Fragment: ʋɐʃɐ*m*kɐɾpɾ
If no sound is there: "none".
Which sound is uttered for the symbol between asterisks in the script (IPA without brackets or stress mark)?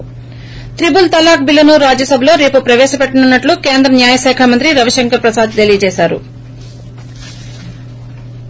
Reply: ŋ